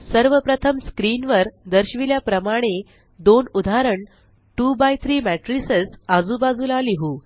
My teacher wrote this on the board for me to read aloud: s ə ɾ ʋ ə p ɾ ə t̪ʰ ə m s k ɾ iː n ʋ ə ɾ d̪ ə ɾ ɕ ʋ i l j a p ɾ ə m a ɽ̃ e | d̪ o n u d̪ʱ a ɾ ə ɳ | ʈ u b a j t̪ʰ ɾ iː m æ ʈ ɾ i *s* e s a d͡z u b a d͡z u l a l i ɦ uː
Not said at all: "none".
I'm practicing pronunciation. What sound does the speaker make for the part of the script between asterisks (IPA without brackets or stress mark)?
s